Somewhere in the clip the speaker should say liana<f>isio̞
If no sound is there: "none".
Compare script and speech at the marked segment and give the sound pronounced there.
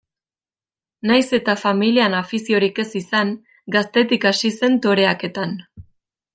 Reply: f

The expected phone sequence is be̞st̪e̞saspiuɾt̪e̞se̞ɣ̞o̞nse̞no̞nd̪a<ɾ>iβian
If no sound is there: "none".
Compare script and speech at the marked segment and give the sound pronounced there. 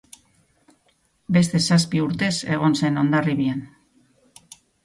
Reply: r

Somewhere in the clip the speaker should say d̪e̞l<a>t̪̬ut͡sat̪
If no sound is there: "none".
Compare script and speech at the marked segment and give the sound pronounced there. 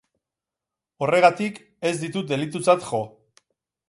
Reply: i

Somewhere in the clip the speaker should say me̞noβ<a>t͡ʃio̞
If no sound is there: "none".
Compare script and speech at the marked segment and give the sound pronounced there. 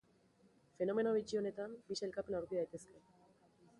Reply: i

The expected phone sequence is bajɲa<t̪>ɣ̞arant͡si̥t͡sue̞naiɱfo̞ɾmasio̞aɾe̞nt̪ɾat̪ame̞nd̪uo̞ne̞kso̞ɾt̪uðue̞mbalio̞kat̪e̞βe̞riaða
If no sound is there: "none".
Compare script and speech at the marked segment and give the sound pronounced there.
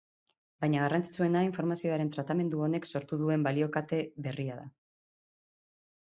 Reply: none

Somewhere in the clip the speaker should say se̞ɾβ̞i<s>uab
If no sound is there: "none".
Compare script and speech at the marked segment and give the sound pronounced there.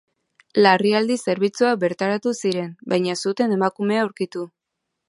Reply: t͡s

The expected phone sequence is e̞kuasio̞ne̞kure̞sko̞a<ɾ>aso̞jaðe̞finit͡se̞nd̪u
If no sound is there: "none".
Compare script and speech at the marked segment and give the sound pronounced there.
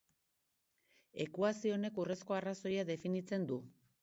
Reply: r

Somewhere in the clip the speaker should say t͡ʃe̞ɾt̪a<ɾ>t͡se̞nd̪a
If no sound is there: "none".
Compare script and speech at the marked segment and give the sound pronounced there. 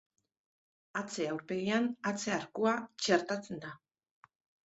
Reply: none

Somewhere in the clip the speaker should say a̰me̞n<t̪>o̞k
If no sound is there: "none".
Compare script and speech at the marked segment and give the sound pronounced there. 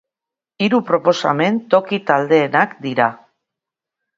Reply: t̪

